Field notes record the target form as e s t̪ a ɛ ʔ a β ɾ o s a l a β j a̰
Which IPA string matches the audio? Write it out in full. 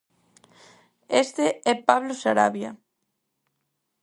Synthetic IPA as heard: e s t̪ e ɛ p a β l o s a ɾ a β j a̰